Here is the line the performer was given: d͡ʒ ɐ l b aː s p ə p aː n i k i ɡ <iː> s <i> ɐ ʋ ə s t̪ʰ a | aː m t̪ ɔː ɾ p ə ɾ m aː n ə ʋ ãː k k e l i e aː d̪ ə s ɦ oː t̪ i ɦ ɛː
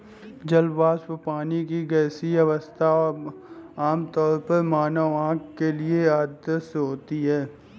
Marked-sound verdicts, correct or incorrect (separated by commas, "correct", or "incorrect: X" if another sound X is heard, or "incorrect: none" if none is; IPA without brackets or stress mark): incorrect: ɛː, correct